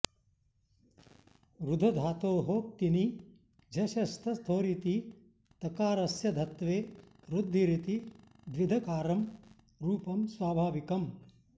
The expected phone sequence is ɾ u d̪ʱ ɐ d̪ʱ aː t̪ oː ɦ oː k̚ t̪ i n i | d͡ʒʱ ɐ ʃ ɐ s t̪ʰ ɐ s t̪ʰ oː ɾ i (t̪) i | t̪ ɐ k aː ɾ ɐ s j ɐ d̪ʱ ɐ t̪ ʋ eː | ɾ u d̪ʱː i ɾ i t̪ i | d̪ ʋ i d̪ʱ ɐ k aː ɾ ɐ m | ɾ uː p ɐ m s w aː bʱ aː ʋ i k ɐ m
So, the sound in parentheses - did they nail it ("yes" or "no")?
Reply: yes